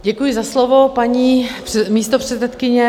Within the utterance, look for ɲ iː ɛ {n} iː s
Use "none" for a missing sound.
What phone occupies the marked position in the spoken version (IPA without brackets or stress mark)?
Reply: m